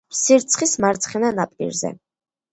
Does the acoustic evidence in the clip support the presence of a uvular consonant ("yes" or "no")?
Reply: yes